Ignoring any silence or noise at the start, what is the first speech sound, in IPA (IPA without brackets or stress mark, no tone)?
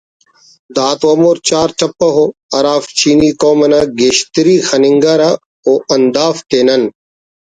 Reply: d̪